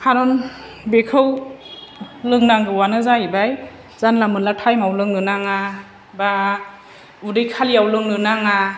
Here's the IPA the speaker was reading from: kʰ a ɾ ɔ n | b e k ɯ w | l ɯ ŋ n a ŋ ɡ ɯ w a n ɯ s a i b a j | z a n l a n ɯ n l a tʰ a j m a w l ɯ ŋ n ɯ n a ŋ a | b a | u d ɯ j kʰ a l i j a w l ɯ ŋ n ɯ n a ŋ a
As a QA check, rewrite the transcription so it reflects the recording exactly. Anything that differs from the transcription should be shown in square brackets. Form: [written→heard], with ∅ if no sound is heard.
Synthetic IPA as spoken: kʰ a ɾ ɔ n | b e [k→kʰ] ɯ w | l ɯ ŋ n a ŋ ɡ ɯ w a n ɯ [s→z] a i b a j | z a n l a [n→m] ɯ n l a tʰ a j m a w l ɯ ŋ n ɯ n a ŋ a | b a | u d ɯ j kʰ a l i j a w l ɯ ŋ n ɯ n a ŋ a